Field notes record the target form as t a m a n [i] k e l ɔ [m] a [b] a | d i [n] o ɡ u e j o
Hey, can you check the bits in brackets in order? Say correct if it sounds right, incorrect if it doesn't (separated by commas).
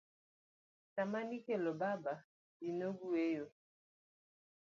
correct, incorrect, correct, correct